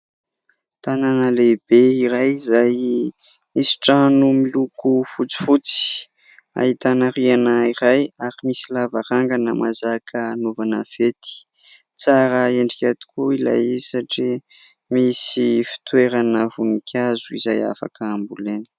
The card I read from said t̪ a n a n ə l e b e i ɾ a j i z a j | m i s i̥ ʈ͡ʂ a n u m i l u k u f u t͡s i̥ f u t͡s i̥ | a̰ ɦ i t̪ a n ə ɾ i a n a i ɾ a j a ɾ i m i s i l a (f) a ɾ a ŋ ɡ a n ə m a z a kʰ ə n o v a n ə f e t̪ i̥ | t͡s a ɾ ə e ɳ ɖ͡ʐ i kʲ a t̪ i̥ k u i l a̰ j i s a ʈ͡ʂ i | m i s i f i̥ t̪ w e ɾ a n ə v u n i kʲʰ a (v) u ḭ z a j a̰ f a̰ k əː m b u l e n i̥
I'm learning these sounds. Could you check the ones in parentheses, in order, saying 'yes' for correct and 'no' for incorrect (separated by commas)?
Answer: no, no